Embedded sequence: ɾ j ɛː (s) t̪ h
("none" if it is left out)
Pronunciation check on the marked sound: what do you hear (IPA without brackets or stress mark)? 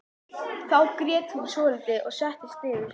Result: none